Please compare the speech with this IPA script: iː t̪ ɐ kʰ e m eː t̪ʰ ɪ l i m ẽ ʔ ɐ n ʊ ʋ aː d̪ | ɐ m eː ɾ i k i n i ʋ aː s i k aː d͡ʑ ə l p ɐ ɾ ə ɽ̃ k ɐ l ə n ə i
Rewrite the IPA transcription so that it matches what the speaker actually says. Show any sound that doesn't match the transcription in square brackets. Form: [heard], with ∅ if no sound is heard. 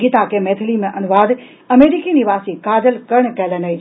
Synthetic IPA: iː t̪ [a] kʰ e m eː t̪ʰ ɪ l i m ẽ ʔ ɐ n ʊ ʋ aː d̪ | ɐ m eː ɾ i k i n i ʋ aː s i k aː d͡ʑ ə l [k] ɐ ɾ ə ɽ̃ k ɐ l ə n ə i